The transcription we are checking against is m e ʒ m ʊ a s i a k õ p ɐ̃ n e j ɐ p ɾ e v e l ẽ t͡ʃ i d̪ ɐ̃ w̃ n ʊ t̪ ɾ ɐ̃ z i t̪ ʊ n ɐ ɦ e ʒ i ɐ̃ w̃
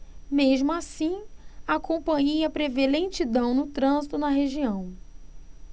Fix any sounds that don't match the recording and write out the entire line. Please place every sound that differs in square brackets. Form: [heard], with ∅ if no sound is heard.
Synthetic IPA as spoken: m e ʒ m ʊ a s [ĩ] a k õ p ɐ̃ [ɲ] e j ɐ p ɾ e v e l ẽ t͡ʃ i d̪ ɐ̃ w̃ n ʊ t̪ ɾ ɐ̃ z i t̪ ʊ n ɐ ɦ e ʒ i ɐ̃ w̃